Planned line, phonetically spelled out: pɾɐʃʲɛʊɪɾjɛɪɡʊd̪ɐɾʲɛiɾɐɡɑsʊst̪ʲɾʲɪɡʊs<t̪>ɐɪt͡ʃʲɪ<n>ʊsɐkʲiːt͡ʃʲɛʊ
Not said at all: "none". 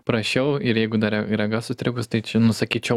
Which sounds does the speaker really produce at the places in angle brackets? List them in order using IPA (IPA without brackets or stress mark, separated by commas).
t̪, n